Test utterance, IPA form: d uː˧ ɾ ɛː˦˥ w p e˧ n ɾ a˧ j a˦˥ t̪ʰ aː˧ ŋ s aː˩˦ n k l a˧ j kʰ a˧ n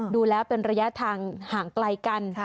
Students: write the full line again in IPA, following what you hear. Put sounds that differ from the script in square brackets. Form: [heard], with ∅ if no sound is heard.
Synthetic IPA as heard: d uː˧ [l] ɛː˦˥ w p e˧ n ɾ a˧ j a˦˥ t̪ʰ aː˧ ŋ [h] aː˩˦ [ŋ] k l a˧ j [k] a˧ n